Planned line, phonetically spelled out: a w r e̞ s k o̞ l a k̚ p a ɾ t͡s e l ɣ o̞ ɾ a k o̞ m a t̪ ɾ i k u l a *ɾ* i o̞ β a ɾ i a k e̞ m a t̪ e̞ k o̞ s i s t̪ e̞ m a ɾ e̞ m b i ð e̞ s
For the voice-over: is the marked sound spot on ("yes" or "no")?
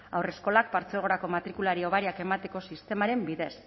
yes